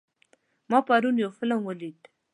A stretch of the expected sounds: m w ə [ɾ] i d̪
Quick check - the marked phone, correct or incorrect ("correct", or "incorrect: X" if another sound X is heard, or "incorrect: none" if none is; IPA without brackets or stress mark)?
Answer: incorrect: l